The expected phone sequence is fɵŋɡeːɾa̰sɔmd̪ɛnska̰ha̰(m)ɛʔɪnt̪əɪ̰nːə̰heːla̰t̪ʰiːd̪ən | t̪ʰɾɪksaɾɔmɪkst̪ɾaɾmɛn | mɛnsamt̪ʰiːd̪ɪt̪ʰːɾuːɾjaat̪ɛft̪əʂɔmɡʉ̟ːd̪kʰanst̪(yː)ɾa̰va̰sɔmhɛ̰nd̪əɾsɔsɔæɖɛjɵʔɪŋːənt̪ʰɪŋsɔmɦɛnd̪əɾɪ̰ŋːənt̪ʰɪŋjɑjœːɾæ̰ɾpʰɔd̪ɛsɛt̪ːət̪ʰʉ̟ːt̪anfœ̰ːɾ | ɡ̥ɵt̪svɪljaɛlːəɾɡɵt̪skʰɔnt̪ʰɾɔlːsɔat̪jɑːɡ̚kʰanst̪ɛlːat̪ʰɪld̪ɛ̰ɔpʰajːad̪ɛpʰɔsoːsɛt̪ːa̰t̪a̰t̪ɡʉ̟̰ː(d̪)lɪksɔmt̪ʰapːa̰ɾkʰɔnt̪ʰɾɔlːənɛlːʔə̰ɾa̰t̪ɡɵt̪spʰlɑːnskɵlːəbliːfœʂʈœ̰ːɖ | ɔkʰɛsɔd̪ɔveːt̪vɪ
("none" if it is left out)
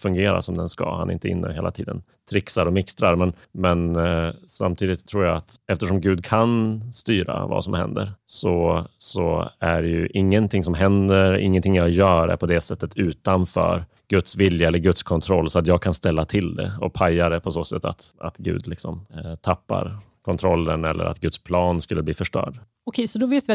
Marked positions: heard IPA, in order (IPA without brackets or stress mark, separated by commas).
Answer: n, yː, d̪